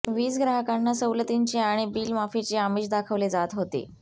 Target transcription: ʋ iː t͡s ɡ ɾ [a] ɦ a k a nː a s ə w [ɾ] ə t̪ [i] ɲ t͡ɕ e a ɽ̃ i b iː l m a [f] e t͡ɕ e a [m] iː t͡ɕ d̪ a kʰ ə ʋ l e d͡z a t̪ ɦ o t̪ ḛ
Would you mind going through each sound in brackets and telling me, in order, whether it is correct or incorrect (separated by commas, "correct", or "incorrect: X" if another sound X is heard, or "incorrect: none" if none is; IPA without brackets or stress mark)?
correct, incorrect: l, correct, correct, correct